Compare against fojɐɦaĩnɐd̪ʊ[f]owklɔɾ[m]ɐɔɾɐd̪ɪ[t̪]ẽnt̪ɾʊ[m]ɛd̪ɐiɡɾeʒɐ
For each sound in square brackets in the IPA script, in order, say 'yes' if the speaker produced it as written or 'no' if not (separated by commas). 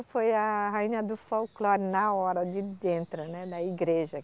yes, no, no, no